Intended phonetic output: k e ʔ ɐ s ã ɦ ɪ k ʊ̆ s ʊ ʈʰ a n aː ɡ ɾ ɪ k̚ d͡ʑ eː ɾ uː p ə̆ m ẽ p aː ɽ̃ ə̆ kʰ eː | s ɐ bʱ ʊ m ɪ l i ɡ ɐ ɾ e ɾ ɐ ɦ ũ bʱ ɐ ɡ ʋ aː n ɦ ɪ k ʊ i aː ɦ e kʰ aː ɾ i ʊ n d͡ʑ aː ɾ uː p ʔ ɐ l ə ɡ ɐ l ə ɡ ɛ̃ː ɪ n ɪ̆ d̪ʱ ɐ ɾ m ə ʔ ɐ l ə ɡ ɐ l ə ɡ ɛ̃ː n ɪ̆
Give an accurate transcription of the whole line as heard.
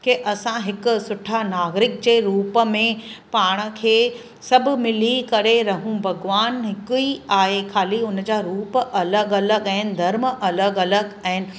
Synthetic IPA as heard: k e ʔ ɐ s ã ɦ ɪ k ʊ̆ s ʊ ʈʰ a n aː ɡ ɾ ɪ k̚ d͡ʑ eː ɾ uː p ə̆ m ẽ p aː ɽ̃ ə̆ kʰ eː | s ɐ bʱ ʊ m ɪ l i k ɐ ɾ e ɾ ɐ ɦ ũ bʱ ɐ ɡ ʋ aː n ɦ ɪ k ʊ i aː ɦ e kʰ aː l i ʊ n d͡ʑ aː ɾ uː p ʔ ɐ l ə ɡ ɐ l ə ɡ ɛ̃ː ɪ n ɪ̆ d̪ʱ ɐ ɾ m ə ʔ ɐ l ə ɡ ɐ l ə ɡ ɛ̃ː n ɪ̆